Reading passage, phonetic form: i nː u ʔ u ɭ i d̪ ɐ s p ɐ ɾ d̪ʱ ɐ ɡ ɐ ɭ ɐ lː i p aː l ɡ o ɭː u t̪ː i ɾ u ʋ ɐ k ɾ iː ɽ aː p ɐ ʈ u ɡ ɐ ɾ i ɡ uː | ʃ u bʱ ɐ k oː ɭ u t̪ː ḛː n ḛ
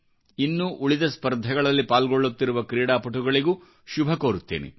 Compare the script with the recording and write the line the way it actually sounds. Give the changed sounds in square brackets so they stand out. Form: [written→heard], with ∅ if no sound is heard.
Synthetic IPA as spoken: i nː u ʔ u ɭ i d̪ ɐ s p ɐ ɾ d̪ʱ ɐ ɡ ɐ ɭ ɐ lː i p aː l ɡ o ɭː u t̪ː i ɾ u ʋ ɐ k ɾ iː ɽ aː p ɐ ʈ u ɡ ɐ [ɾ→ɭ] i ɡ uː | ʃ u bʱ ɐ k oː [ɭ→ɾ] u t̪ː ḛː n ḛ